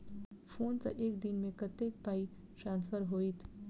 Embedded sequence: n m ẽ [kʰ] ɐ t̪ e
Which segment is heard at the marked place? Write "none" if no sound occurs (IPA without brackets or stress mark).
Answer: k